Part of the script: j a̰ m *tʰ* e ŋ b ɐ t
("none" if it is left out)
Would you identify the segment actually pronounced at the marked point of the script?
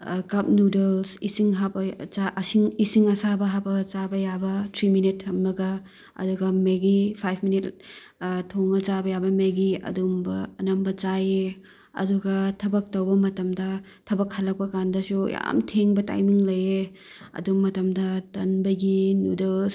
tʰ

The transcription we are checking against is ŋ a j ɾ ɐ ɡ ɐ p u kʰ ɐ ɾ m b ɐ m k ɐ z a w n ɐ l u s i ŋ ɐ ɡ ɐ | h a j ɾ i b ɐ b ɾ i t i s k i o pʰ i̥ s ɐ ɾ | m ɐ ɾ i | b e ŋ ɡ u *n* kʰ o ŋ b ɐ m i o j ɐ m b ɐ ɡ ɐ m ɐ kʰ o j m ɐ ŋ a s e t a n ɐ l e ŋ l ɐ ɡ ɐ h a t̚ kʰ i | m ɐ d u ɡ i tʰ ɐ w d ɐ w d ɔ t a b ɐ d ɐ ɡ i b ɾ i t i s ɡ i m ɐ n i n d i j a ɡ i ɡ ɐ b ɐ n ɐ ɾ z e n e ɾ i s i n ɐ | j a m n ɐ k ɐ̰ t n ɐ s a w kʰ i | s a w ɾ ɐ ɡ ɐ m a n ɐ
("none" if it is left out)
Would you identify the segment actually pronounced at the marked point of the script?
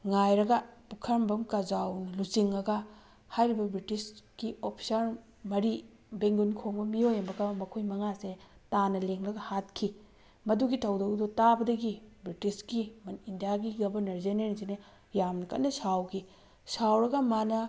n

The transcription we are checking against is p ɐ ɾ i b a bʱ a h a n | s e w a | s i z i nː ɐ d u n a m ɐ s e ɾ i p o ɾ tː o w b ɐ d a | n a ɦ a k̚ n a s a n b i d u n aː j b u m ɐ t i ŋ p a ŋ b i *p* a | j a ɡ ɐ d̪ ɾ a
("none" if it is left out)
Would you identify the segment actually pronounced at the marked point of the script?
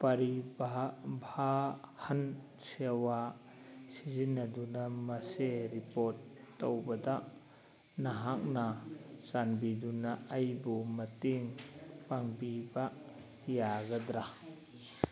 b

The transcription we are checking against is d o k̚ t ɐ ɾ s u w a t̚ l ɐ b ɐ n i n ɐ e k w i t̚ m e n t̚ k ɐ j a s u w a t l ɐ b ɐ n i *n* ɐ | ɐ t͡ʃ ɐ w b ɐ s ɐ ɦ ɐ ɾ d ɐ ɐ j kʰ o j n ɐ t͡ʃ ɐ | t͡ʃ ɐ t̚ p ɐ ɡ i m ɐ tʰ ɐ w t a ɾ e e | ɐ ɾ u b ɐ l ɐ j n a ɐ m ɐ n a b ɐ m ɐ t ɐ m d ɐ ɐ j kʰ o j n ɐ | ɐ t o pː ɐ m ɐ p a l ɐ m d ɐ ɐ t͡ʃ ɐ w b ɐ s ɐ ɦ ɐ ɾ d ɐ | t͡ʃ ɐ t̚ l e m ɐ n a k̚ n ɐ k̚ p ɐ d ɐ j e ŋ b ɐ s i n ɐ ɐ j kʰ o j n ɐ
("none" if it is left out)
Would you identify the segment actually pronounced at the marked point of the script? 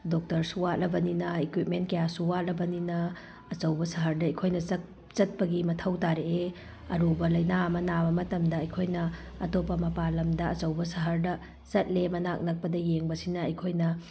n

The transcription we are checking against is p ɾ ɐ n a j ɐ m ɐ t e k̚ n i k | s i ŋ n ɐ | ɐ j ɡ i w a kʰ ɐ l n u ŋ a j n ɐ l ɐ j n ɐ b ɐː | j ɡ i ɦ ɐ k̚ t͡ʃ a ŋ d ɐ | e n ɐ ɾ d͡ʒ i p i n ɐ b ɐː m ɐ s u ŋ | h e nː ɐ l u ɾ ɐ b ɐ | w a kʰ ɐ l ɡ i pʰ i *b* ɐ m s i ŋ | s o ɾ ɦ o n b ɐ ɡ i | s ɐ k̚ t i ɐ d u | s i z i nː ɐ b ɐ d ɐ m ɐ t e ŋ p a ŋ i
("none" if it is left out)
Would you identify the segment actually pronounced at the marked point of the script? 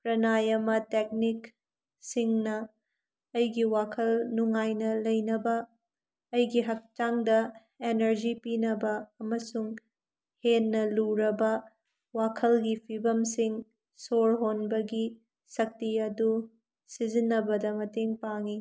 b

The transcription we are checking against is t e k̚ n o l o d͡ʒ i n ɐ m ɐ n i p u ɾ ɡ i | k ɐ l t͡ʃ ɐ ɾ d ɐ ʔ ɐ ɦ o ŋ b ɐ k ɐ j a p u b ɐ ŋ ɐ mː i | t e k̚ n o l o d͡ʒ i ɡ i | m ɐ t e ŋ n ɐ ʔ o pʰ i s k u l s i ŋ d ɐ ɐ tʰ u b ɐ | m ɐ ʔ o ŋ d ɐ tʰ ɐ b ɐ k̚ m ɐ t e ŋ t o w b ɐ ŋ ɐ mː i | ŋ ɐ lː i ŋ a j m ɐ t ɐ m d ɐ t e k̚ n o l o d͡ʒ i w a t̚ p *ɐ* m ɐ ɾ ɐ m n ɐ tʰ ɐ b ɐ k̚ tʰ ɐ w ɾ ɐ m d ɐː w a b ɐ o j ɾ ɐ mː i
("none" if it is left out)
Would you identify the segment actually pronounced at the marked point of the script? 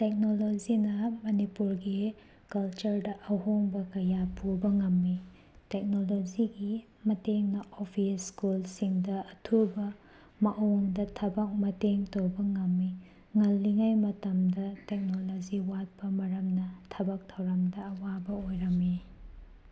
ɐ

